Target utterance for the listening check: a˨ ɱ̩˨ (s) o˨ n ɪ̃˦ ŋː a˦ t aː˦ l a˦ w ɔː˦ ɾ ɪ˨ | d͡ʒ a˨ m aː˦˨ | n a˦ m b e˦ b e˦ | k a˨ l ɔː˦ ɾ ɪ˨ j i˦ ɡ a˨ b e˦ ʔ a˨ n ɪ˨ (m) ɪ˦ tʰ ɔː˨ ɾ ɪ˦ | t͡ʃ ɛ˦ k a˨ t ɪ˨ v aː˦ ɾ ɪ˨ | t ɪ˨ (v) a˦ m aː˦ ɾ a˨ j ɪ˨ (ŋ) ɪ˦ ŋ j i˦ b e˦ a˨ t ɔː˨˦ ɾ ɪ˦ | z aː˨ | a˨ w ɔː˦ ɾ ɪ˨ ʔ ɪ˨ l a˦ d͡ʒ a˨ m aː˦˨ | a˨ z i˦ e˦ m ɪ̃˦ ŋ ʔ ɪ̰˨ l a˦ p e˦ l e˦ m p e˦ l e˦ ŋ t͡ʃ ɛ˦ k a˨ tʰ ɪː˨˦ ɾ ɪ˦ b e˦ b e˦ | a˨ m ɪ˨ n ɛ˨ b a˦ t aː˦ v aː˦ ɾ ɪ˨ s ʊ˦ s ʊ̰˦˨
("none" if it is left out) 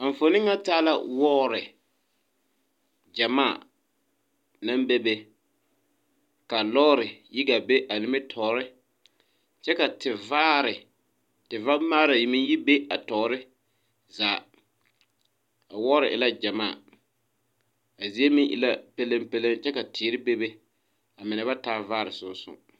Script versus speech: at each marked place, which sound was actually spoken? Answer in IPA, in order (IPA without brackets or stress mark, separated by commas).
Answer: f, m, v, m